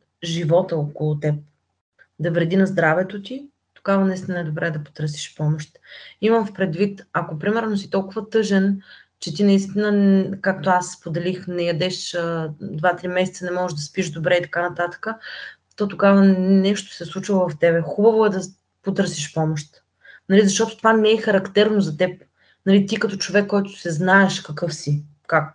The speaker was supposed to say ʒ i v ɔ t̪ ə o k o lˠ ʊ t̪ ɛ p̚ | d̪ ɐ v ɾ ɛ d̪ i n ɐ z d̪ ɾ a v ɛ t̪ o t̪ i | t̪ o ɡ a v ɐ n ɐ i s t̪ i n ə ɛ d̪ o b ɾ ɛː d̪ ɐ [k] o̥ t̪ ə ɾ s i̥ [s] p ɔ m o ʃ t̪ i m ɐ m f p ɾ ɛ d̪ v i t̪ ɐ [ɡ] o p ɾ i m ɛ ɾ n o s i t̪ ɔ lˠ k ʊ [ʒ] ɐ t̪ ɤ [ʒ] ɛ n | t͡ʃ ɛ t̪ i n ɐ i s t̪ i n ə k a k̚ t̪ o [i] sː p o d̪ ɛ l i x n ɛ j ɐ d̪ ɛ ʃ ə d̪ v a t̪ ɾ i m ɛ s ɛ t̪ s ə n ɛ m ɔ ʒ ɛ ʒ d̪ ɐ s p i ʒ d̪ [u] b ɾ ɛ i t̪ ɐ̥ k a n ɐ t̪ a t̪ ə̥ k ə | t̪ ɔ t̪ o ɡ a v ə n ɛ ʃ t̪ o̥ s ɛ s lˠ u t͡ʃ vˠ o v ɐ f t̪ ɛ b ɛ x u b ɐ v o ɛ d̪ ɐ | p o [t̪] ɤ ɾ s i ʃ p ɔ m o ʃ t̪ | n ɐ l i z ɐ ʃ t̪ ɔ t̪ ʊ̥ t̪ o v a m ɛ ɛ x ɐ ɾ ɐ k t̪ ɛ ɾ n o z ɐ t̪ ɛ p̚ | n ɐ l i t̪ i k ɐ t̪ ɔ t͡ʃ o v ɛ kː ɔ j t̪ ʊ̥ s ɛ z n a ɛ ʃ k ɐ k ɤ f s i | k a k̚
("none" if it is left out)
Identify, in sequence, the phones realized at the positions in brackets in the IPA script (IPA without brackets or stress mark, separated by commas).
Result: p, ʃ, k, v, ʒ, a, o, t̪